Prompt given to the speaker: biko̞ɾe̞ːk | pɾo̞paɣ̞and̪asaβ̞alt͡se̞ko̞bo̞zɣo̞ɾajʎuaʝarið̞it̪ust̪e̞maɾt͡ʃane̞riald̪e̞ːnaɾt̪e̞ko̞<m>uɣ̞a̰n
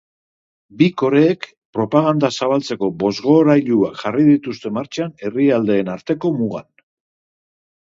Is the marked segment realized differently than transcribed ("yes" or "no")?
no